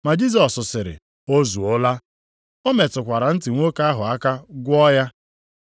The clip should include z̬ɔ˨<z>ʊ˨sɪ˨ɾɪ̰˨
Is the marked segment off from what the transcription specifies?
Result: yes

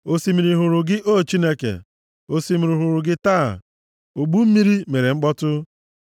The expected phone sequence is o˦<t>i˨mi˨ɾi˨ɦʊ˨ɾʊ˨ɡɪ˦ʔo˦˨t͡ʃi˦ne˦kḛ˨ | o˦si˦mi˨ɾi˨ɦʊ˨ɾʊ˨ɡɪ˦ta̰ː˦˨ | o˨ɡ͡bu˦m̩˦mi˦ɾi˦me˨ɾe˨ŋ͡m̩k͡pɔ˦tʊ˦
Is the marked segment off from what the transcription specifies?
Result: yes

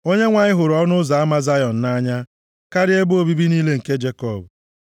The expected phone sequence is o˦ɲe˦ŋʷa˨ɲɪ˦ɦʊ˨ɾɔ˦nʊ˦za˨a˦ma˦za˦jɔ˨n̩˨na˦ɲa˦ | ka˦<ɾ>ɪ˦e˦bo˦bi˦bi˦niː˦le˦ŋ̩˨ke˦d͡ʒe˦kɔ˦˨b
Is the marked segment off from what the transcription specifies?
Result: no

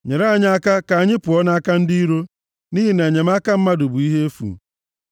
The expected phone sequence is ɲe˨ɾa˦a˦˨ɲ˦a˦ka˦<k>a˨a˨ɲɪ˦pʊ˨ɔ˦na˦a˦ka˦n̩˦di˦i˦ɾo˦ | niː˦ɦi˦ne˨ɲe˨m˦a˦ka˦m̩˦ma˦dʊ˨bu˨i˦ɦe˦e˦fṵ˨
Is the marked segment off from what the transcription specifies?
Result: no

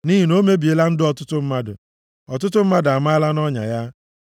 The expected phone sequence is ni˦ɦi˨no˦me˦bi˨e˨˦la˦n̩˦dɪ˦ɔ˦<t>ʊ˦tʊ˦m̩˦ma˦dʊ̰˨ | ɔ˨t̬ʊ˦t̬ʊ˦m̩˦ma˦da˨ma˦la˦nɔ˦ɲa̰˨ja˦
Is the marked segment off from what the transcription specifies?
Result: no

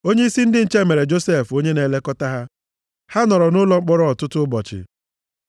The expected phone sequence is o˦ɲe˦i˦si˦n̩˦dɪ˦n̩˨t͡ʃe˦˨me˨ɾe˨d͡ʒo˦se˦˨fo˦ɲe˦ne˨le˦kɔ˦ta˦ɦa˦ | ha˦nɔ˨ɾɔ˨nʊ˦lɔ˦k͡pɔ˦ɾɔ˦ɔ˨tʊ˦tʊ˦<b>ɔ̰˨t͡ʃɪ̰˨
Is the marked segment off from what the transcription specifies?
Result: no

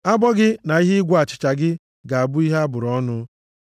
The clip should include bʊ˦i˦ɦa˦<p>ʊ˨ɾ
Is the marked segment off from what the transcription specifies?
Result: yes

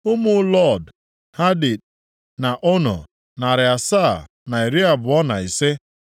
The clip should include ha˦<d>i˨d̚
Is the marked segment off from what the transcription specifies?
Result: no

